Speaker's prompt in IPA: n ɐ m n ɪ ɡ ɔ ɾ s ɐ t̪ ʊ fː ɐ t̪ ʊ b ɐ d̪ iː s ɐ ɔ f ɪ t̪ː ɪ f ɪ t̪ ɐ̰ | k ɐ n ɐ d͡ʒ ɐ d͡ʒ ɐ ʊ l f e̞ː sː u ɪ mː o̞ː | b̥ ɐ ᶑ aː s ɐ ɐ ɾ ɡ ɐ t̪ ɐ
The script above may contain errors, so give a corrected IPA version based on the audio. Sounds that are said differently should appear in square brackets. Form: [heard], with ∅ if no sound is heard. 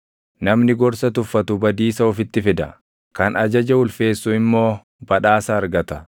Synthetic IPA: n ɐ m n ɪ ɡ ɔ ɾ s ɐ t̪ ʊ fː ɐ t̪ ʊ b ɐ d̪ iː s ɐ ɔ f ɪ t̪ː ɪ f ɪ [d̪] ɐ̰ | k ɐ n ɐ d͡ʒ ɐ d͡ʒ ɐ ʊ l f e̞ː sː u ɪ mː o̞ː | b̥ ɐ ᶑ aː s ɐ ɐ ɾ ɡ ɐ t̪ ɐ